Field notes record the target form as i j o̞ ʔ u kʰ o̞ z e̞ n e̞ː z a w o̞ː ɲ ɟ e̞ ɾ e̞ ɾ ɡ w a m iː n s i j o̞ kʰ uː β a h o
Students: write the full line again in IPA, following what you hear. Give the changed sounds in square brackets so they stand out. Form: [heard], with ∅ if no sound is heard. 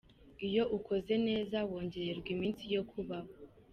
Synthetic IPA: i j o̞ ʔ u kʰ o̞ z e̞ n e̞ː z a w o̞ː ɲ ɟ e̞ ɾ e̞ ɾ ɡ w [i] m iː n s i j o̞ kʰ [u] β a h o